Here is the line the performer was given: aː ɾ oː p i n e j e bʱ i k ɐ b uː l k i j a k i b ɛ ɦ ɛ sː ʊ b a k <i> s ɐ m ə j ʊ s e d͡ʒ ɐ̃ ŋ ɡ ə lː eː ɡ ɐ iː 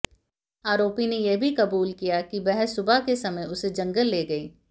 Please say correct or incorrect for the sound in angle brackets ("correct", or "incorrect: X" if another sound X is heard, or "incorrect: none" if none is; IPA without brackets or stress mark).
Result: incorrect: e